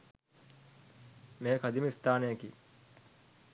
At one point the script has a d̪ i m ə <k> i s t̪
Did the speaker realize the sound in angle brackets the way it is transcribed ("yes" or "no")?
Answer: no